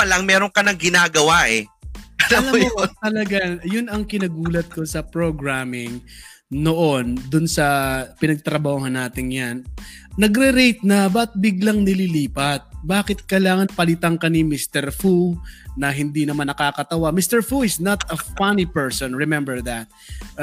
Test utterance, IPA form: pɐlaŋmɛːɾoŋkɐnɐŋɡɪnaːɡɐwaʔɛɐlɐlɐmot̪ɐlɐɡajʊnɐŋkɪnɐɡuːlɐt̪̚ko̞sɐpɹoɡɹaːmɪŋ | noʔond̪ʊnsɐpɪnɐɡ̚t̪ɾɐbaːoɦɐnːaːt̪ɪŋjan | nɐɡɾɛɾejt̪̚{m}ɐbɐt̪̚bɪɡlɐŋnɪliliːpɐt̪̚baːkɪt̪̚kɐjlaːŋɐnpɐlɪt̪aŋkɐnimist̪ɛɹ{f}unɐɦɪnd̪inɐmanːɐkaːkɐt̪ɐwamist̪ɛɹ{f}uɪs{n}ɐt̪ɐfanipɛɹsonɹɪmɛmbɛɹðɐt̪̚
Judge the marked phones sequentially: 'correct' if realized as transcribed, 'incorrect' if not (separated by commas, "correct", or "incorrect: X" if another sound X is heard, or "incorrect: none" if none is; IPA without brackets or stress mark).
incorrect: n, correct, correct, correct